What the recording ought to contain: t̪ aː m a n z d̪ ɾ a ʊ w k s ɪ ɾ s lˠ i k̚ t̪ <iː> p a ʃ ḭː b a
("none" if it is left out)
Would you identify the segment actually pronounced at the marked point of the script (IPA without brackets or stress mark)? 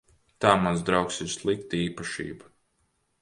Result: iː